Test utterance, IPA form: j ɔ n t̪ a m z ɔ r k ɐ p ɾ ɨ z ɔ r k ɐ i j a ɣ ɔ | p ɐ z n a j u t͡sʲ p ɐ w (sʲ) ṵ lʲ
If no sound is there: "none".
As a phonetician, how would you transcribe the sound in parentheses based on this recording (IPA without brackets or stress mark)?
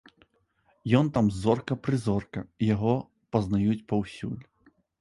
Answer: sʲ